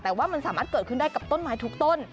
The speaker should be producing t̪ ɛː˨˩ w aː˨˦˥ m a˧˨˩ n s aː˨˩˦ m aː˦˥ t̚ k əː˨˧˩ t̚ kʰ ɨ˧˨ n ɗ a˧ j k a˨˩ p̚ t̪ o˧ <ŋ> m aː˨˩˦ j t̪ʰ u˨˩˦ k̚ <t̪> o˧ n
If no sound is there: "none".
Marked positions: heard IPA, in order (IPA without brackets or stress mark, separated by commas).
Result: n, t̪